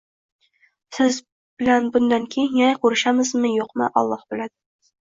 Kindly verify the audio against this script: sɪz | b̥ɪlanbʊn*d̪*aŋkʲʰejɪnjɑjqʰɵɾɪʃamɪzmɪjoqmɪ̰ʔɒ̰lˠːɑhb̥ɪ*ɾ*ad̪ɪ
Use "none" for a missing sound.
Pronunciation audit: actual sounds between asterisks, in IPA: d̪, l

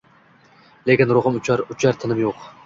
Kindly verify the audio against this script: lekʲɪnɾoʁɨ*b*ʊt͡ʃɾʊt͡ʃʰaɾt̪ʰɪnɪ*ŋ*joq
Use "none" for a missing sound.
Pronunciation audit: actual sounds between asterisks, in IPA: m, m

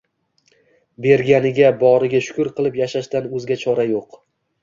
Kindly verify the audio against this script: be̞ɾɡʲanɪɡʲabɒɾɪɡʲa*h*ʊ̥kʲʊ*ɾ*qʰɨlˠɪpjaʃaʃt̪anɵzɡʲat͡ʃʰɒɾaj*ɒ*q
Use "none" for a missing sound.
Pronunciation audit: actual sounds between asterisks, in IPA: ʃ, ɾ, o

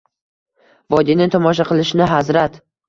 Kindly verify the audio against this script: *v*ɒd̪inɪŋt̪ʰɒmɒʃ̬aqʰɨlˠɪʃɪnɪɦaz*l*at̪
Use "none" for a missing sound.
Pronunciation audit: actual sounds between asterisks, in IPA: v, ɾ

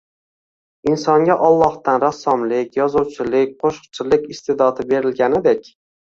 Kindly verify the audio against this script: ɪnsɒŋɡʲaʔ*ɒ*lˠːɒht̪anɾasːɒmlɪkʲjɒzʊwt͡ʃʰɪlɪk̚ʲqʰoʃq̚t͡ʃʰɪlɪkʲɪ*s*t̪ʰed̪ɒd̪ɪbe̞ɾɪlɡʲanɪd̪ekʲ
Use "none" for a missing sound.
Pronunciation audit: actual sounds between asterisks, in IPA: ɒ, s

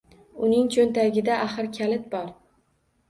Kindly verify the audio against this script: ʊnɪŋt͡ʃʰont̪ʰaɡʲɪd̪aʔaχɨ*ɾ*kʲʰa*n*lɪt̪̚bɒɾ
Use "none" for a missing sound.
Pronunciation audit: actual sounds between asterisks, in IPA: ɾ, none

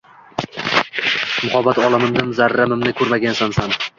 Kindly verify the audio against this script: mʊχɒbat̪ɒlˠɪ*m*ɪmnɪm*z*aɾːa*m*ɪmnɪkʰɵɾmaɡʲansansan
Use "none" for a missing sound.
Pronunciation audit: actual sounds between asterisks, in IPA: m, z, m

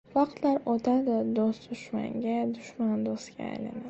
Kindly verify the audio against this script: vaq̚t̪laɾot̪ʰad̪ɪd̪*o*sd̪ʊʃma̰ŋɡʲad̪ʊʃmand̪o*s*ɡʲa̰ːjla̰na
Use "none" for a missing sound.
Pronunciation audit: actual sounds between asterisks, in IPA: o, s

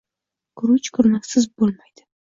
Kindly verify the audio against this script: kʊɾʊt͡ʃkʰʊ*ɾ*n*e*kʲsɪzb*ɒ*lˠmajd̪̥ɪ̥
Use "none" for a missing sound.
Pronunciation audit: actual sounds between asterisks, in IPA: ɾ, a, o

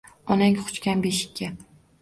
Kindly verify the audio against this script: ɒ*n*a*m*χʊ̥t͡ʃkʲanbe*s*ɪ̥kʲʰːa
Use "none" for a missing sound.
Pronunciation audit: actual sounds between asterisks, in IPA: n, ŋ, ʃ

